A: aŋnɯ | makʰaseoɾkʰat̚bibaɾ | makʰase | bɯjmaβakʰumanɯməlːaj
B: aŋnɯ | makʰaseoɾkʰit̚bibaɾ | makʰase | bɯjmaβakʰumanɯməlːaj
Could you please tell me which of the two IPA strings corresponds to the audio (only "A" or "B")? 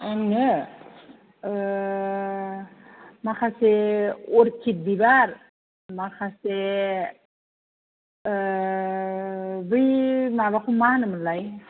B